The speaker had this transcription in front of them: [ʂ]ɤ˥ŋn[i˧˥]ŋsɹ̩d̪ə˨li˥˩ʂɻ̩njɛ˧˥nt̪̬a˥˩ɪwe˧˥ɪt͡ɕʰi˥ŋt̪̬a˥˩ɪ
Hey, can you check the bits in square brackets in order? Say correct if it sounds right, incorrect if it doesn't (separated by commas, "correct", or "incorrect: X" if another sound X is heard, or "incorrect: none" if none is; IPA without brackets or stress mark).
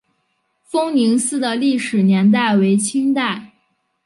incorrect: f, correct